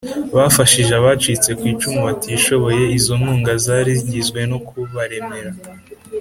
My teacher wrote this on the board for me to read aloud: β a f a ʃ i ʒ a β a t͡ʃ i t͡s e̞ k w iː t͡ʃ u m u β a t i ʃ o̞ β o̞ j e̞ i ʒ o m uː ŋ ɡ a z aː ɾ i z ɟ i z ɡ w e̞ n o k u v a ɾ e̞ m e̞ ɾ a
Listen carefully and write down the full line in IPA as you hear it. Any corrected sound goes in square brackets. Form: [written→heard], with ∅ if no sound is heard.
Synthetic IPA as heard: β a f a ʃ i ʒ a β a t͡ʃ i t͡s e̞ k w iː t͡ʃ u m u β a t i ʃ o̞ β o̞ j e̞ i [ʒ→z] o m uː ŋ ɡ a z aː ɾ i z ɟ i z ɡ w e̞ n o k u [v→β] a ɾ e̞ m e̞ ɾ a